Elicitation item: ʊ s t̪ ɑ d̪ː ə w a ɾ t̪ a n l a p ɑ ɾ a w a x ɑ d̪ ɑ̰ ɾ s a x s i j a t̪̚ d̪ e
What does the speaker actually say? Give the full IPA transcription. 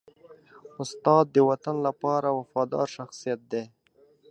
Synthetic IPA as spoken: ʊ s t̪ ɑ d̪ː ə w a t̪ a n l a p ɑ ɾ a w a f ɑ d̪ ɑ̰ ɾ ʃ a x s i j a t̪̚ d̪ e